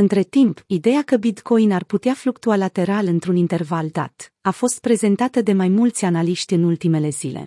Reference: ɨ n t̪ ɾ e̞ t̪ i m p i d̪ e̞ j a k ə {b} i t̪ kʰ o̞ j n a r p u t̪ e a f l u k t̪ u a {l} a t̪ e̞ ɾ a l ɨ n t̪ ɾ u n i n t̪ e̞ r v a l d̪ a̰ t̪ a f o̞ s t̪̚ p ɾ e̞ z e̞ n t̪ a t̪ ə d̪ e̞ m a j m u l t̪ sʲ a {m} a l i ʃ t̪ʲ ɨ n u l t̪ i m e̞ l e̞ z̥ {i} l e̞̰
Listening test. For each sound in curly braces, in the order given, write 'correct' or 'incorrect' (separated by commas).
correct, correct, incorrect, correct